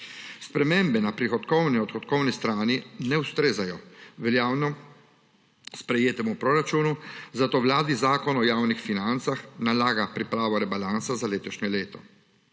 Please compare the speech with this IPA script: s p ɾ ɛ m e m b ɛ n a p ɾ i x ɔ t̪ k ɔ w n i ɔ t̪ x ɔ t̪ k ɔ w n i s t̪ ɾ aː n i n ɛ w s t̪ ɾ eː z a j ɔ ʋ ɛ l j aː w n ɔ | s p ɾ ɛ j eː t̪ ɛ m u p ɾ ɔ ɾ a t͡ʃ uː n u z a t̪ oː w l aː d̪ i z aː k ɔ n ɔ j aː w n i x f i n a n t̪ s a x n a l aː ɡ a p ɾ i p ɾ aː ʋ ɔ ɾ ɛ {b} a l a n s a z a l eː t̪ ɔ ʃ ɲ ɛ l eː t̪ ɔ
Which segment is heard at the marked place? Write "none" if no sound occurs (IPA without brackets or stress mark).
b